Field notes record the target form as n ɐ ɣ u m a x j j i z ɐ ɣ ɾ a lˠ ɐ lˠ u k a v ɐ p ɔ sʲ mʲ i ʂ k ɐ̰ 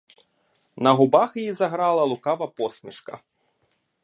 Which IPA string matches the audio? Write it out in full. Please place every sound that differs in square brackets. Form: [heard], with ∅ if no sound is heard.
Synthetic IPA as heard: n ɐ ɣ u [b] a x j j i z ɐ ɣ ɾ a lˠ ɐ lˠ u k a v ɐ p ɔ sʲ mʲ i ʂ k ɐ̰